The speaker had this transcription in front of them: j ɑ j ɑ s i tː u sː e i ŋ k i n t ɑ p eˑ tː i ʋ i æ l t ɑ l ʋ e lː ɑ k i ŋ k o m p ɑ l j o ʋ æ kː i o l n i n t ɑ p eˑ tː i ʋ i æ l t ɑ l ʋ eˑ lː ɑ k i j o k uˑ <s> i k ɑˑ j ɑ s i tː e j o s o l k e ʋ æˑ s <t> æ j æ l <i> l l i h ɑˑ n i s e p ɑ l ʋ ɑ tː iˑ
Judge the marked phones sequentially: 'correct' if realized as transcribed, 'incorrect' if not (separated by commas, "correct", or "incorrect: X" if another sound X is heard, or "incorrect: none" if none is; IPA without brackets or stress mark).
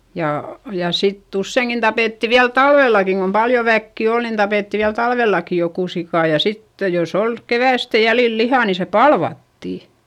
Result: correct, correct, correct